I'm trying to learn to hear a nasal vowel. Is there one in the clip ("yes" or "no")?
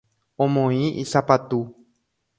yes